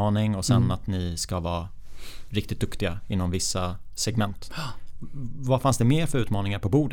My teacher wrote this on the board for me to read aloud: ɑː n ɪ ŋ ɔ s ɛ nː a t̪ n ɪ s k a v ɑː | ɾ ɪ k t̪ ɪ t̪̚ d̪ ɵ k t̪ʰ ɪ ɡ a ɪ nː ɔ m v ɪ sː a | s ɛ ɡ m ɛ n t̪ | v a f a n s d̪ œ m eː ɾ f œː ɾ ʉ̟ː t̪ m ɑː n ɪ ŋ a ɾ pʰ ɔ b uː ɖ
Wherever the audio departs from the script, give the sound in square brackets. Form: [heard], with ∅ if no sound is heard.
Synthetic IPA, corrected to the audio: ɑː n ɪ ŋ ɔ s ɛ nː a t̪ n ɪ s k a v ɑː | ɾ ɪ k t̪ ɪ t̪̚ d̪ ɵ k [t̪] ɪ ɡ a ɪ nː ɔ m v ɪ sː a | s ɛ ɡ m ɛ n t̪ | v a f a n s d̪ [ɛ] m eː ɾ f [œ] ɾ ʉ̟ː t̪ m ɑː n ɪ ŋ a ɾ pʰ ɔ b uː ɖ